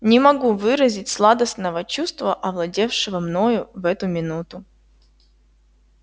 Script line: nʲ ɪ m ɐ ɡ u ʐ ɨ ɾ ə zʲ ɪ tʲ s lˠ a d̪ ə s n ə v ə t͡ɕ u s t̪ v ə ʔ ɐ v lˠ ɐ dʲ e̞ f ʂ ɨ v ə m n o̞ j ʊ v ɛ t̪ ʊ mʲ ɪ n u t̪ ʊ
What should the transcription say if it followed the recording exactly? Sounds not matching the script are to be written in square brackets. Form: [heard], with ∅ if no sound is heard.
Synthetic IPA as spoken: nʲ ɪ m ɐ ɡ u [v] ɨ ɾ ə zʲ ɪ tʲ s lˠ a d̪ ə s n ə v ə t͡ɕ u s t̪ v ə ʔ ɐ v lˠ ɐ dʲ e̞ f ʂ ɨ v ə m n o̞ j ʊ v ɛ t̪ ʊ mʲ ɪ n u t̪ ʊ

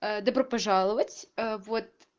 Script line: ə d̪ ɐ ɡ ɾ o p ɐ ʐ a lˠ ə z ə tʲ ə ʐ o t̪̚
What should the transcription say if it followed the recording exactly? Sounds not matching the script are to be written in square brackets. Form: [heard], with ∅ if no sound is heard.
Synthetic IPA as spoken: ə d̪ ɐ [b] ɾ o p ɐ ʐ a lˠ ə [v] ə tʲ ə [v] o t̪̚

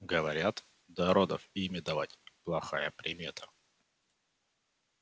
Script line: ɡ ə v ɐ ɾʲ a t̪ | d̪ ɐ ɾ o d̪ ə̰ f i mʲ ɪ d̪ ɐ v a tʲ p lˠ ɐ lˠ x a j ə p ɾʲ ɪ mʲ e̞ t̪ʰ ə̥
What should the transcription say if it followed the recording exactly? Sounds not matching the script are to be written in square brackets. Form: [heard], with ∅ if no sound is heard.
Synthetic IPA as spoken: ɡ ə v ɐ ɾʲ a t̪ | d̪ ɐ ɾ o d̪ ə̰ f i mʲ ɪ d̪ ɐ v a tʲ p lˠ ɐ [∅] x a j ə p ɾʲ ɪ mʲ e̞ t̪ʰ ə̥

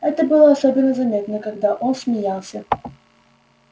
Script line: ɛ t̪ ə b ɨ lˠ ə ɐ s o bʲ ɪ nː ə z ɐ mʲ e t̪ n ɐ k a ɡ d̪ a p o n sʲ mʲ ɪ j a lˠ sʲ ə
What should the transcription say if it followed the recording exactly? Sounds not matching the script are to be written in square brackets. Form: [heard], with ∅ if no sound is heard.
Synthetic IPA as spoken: ɛ t̪ ə b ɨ lˠ ə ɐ s o bʲ ɪ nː ə z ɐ mʲ e t̪ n [ə] k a ɡ d̪ a [ʔ] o n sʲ mʲ ɪ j a lˠ sʲ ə

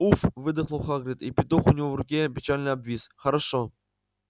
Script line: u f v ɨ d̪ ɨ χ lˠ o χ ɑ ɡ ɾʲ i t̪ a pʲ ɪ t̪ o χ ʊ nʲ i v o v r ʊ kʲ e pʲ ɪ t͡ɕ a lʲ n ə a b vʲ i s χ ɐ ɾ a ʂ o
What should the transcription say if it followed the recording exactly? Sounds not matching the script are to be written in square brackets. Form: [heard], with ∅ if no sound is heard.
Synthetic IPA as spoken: u f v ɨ d̪ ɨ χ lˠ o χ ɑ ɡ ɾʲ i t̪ [i] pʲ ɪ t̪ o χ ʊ nʲ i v o v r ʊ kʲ e pʲ ɪ t͡ɕ a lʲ n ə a b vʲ i s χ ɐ ɾ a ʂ o

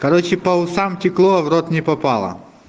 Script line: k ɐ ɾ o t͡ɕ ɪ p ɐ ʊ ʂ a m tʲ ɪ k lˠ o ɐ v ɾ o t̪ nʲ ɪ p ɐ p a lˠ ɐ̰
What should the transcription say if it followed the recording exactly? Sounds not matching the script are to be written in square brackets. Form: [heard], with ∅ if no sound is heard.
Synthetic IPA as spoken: k ɐ ɾ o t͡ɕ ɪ p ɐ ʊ [s] a m tʲ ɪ k lˠ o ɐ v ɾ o t̪ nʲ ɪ p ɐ p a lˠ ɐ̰

